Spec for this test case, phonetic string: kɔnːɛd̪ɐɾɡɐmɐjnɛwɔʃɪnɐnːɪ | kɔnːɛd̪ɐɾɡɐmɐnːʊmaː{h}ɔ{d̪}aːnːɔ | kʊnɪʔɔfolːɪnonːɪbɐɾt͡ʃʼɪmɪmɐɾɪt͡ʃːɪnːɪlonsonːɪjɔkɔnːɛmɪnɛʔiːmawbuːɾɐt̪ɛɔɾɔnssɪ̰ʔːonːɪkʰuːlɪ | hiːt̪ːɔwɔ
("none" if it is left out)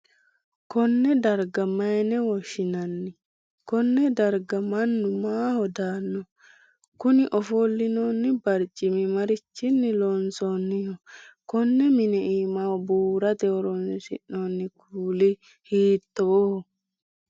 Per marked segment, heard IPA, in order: h, d̪

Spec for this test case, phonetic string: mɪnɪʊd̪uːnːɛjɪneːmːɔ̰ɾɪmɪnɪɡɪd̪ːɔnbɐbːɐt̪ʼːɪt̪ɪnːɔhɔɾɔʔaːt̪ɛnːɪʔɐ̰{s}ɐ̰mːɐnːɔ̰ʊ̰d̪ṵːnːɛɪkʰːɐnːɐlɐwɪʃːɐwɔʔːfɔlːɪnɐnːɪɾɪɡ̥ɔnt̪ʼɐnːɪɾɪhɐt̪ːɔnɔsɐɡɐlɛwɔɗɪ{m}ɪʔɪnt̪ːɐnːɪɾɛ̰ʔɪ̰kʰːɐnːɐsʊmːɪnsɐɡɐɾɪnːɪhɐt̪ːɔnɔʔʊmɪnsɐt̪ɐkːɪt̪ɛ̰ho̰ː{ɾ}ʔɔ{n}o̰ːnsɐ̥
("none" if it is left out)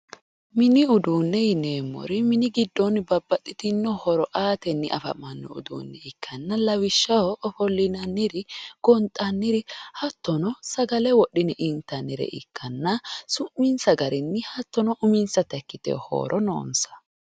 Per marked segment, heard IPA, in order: f, n, ɾ, n

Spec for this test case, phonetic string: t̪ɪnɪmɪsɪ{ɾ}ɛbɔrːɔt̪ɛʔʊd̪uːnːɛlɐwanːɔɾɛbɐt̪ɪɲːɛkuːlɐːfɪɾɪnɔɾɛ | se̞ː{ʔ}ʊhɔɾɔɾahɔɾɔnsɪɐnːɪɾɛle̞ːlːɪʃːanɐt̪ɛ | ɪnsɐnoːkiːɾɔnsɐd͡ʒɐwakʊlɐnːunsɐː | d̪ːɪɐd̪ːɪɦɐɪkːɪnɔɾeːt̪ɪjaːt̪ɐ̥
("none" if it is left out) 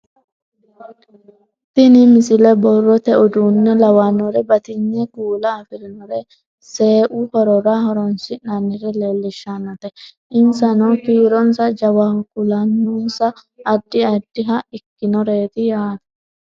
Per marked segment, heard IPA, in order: l, ʔ

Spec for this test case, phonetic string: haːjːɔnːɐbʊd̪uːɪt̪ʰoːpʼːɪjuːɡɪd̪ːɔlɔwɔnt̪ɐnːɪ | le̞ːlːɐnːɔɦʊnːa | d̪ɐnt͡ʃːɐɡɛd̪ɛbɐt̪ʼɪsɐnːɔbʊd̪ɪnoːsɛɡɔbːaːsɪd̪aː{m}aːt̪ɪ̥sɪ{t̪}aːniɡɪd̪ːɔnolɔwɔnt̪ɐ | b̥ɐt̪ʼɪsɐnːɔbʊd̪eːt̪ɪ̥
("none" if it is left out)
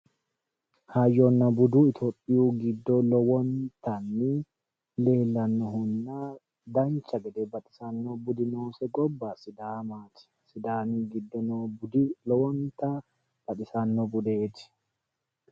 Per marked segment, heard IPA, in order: m, d̪

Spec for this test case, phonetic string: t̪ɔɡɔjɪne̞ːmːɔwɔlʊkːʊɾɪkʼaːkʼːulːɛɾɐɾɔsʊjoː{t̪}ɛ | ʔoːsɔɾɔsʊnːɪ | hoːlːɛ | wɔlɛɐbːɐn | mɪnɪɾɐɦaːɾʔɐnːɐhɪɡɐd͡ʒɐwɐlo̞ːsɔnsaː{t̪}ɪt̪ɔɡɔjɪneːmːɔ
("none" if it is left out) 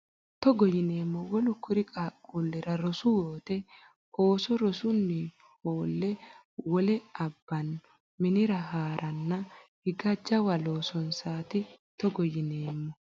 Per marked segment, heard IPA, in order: t̪, t̪

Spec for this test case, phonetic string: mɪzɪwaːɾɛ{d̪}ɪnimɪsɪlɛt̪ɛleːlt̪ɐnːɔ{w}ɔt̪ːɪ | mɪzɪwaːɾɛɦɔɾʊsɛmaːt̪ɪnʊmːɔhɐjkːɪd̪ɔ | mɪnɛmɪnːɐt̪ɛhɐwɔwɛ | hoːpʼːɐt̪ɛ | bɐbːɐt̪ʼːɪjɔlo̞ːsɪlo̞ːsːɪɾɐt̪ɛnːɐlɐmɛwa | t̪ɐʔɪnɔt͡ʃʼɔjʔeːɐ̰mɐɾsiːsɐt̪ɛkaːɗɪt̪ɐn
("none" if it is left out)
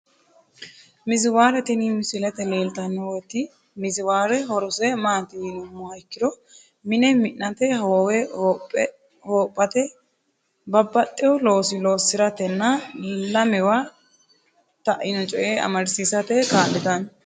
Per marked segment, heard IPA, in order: t̪, w

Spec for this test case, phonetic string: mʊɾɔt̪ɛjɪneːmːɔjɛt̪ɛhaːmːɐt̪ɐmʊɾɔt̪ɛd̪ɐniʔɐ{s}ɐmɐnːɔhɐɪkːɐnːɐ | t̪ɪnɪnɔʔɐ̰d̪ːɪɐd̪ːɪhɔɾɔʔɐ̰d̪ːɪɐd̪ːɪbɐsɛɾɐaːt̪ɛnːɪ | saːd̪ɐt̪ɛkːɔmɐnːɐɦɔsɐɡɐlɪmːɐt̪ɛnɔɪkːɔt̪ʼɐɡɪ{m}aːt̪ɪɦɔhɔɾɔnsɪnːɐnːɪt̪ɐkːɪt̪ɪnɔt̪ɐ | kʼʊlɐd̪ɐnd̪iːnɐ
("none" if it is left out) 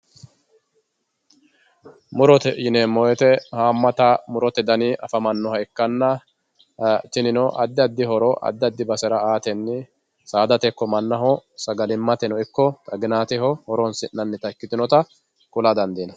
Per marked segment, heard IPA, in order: f, n

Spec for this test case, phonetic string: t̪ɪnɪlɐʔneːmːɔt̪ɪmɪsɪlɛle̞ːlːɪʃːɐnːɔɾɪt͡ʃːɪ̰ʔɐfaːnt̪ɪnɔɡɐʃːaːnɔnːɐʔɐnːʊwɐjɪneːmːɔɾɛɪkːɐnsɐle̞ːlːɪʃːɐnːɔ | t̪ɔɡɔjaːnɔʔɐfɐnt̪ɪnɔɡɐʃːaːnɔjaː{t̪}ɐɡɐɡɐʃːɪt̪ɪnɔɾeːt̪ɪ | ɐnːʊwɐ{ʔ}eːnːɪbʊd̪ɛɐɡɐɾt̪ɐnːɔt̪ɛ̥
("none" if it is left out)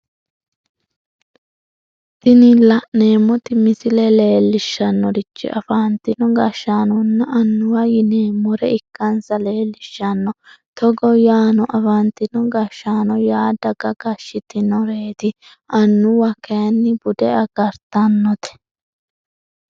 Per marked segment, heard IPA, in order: d̪, k

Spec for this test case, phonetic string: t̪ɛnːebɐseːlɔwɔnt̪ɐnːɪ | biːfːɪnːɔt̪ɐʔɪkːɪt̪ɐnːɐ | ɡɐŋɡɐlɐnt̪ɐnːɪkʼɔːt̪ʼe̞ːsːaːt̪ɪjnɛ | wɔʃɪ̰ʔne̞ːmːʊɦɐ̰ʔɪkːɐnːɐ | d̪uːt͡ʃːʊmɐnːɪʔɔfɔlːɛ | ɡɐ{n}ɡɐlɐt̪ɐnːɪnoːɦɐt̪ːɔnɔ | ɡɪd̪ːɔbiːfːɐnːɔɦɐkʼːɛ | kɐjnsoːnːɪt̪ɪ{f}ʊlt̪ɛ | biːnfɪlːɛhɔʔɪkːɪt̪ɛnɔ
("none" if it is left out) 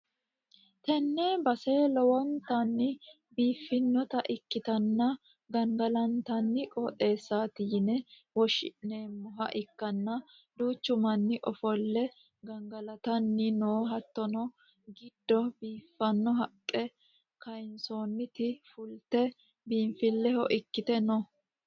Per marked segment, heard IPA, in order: ŋ, f

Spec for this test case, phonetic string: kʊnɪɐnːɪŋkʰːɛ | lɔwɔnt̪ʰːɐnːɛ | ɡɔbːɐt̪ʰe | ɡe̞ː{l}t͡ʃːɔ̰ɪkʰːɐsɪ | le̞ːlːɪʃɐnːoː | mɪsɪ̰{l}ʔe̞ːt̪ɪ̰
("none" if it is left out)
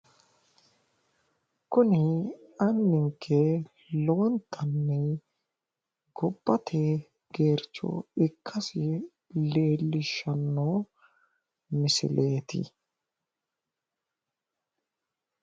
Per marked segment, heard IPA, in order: ɾ, l

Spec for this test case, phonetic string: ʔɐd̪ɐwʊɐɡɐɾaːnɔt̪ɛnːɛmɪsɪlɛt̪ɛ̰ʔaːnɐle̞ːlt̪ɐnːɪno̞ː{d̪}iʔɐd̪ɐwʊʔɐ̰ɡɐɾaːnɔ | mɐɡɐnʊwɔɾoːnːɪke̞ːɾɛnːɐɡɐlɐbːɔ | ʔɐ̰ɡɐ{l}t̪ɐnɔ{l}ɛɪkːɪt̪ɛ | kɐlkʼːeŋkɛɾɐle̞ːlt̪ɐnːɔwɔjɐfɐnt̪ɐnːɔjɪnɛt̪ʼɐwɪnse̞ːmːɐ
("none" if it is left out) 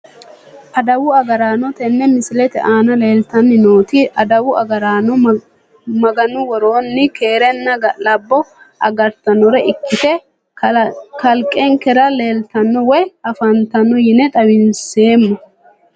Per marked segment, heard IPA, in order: t̪, ɾ, ɾ

